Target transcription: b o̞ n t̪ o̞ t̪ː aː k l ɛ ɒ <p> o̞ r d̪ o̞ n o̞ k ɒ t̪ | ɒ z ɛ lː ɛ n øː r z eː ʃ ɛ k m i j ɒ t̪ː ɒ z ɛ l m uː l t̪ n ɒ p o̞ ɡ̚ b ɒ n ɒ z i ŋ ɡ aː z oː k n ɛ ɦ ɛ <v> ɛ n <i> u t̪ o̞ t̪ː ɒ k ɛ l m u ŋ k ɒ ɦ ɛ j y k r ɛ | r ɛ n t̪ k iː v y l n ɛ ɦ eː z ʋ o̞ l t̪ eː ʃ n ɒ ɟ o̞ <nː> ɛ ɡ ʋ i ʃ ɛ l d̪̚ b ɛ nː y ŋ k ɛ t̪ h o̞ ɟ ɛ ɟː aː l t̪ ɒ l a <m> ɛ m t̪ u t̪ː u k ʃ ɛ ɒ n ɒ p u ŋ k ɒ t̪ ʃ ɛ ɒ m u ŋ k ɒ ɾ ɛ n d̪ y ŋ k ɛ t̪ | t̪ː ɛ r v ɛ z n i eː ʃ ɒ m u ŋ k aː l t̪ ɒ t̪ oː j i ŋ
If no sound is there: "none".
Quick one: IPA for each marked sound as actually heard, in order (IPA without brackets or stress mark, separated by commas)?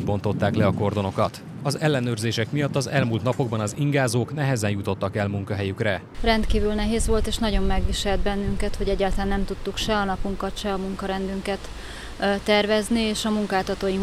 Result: k, z, j, mː, n